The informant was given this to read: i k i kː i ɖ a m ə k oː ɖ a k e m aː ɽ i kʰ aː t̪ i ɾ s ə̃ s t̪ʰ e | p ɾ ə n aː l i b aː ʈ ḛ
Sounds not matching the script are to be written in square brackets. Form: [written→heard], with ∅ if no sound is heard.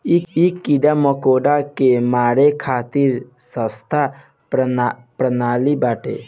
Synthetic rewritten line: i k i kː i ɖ a m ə k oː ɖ a k e m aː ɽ [i→e] kʰ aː t̪ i ɾ s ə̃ s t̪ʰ [e→a] | p ɾ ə n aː l i b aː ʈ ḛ